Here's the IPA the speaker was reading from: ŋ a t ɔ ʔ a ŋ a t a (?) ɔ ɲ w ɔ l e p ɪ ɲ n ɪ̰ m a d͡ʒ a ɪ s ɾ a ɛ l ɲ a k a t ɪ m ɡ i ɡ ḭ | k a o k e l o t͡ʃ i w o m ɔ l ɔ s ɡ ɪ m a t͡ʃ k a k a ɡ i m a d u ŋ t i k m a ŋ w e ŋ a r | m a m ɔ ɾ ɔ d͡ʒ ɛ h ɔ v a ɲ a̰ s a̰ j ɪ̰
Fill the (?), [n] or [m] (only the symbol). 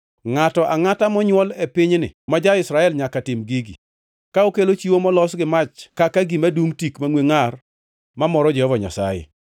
m